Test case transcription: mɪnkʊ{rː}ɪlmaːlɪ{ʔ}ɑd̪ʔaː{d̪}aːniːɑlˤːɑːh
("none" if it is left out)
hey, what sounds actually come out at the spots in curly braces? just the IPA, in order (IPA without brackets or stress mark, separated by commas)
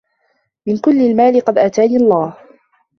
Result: lː, q, t̪